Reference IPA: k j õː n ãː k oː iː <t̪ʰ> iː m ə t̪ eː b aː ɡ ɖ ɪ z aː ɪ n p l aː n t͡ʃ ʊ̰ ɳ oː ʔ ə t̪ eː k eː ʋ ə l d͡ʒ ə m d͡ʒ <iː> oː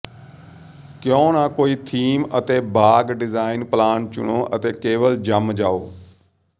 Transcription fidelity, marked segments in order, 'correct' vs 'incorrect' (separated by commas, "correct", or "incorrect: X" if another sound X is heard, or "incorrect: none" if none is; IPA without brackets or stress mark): correct, incorrect: aː